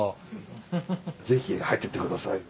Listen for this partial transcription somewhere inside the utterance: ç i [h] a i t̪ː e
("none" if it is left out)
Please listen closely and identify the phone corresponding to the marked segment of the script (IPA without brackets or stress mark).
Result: h